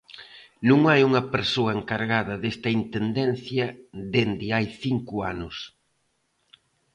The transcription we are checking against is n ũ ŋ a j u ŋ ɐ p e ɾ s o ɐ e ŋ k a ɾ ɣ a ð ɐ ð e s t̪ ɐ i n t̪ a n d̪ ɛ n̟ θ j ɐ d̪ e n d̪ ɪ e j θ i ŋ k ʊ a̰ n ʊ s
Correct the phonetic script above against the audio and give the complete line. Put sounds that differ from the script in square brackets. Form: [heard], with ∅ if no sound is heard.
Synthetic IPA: n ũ ŋ a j u ŋ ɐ p e ɾ s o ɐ e ŋ k a ɾ ɣ a ð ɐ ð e s t̪ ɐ i n t̪ [e] n d̪ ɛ n̟ θ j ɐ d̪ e n d̪ ɪ [a] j θ i ŋ k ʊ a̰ n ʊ s